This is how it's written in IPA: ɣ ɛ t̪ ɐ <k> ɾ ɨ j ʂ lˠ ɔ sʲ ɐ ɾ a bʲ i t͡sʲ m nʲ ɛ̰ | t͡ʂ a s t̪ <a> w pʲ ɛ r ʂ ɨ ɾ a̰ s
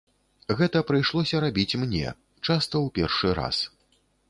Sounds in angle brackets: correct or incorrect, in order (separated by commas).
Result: incorrect, incorrect